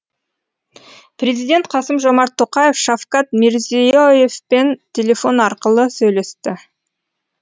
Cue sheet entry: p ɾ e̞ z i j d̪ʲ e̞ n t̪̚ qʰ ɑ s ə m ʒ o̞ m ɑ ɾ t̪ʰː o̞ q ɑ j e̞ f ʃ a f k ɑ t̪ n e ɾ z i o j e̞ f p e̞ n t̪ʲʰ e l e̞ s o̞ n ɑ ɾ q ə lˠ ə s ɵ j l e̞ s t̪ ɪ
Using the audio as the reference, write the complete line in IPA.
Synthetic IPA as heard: p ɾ e̞ z i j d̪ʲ e̞ n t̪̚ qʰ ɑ s ə m ʒ o̞ m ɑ ɾ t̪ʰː o̞ q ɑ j e̞ f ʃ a f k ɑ t̪ m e ɾ z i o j e̞ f p e̞ n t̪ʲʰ e l e̞ f o̞ n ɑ ɾ q ə lˠ ə s ɵ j l e̞ s t̪ ɪ